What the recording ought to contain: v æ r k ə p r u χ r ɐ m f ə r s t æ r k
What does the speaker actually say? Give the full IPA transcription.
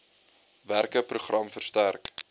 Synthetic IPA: v æ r k ə p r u χ r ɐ m f ə r s t æ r k

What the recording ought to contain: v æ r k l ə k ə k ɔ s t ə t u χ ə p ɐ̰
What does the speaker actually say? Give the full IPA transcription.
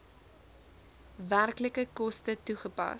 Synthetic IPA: v æ r k l ə k ə k ɔ s t ə t u χ ə p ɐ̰

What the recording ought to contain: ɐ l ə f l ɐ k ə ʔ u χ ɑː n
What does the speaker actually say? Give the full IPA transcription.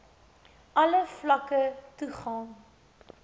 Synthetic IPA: ɐ l ə f l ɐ k ə t u χ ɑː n

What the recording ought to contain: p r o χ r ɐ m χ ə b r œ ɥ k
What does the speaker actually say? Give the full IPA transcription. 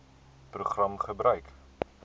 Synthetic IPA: p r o χ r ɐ m χ ə b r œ ɥ k

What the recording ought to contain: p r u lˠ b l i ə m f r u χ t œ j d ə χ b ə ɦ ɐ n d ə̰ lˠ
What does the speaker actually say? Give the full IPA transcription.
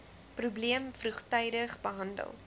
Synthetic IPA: p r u b l i ə m f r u χ t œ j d ə χ b ə ɦ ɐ n d ə̰ lˠ

